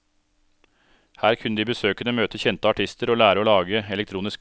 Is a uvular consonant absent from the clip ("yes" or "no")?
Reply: yes